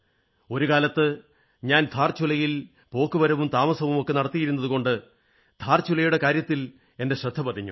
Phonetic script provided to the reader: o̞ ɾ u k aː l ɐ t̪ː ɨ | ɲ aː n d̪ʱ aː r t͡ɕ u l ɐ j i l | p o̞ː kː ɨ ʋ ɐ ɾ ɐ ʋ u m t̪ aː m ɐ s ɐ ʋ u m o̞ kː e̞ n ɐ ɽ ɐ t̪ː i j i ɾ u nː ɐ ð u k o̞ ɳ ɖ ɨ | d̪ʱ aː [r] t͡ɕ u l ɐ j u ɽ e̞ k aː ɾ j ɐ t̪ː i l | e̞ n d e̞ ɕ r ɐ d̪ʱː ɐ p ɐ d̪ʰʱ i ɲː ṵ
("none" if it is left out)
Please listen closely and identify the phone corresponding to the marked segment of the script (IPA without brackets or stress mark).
r